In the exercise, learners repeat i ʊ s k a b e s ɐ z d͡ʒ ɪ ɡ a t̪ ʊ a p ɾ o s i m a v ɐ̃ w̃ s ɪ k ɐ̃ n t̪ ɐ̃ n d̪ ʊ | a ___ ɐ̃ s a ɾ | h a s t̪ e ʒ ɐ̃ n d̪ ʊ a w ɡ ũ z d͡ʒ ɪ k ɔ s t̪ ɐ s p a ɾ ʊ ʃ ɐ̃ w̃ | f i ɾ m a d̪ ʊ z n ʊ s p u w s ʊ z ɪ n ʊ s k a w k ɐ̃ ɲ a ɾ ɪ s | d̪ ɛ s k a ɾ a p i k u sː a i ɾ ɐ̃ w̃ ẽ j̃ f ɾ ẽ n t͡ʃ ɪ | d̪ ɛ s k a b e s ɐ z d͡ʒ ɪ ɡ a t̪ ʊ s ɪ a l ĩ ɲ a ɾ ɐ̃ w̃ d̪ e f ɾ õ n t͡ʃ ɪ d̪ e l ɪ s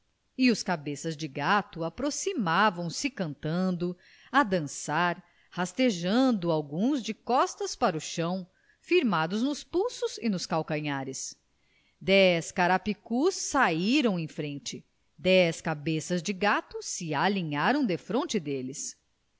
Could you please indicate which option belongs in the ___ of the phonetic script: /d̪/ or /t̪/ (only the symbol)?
d̪